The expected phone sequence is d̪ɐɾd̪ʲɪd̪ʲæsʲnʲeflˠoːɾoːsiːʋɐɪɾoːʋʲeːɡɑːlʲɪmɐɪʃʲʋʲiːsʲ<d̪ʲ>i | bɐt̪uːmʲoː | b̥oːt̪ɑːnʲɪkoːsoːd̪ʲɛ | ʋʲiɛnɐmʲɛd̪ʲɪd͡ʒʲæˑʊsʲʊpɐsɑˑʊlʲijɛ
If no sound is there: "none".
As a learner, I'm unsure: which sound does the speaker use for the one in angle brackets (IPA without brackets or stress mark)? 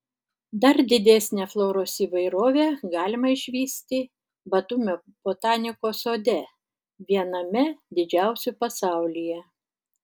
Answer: t̪ʲ